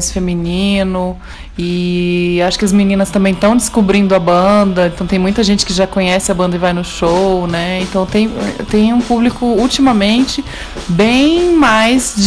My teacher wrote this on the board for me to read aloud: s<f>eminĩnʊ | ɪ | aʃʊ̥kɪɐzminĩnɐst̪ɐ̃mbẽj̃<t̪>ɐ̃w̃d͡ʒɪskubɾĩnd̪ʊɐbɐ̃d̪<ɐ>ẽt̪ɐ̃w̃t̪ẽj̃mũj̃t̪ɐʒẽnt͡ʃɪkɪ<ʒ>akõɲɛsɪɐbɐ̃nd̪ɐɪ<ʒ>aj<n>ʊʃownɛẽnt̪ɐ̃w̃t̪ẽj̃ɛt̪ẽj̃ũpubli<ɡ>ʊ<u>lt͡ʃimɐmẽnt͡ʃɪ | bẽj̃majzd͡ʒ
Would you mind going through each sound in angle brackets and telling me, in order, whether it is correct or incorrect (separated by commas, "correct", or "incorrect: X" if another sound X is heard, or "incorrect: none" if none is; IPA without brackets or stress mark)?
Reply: correct, correct, correct, correct, incorrect: v, correct, incorrect: k, correct